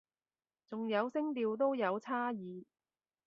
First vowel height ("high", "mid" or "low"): high